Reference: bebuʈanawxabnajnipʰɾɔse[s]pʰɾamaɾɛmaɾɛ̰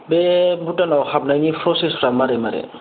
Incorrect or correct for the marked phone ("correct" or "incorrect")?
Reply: correct